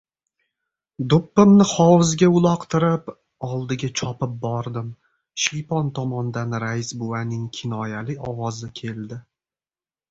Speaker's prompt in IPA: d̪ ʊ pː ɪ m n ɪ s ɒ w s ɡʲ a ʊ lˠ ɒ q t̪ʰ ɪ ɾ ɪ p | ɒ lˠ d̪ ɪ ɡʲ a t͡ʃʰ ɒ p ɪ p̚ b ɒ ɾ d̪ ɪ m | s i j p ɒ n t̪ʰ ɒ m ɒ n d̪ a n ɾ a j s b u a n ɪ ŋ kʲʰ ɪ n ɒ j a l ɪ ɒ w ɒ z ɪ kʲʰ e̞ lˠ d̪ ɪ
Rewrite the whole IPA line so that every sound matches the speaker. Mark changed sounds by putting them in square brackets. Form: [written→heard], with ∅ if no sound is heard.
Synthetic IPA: d̪ ʊ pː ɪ m n ɪ [s→χ] ɒ w [s→z] ɡʲ a ʊ lˠ ɒ q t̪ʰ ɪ ɾ ɪ p | ɒ lˠ d̪ ɪ ɡʲ a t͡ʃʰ ɒ p ɪ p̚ b ɒ ɾ d̪ ɪ m | [s→ʃ] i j p ɒ n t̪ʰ ɒ m ɒ n d̪ a n ɾ a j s b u a n ɪ ŋ kʲʰ ɪ n ɒ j a l ɪ ɒ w ɒ z ɪ kʲʰ e̞ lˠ d̪ ɪ